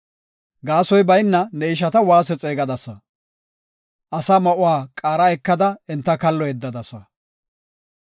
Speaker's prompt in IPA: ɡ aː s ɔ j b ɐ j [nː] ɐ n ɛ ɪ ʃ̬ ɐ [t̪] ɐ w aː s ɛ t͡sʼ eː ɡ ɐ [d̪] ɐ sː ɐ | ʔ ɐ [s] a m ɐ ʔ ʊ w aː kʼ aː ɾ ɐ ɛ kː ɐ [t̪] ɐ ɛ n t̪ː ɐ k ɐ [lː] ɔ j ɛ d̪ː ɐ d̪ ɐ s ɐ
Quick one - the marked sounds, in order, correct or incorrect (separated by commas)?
correct, correct, correct, correct, incorrect, correct